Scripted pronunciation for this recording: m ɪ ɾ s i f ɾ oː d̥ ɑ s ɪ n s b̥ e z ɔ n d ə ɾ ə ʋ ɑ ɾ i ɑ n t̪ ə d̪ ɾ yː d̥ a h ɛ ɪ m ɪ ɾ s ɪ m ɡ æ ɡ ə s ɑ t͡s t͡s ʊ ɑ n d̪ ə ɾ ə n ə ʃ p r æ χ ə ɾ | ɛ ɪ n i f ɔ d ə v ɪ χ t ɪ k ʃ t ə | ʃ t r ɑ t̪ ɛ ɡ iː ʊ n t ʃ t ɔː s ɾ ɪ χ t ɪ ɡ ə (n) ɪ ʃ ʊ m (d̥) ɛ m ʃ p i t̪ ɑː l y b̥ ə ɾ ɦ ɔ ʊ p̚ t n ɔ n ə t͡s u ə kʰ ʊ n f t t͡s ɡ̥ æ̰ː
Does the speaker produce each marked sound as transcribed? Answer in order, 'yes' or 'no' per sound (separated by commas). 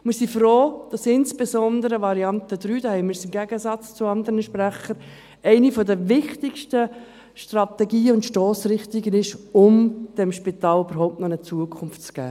yes, yes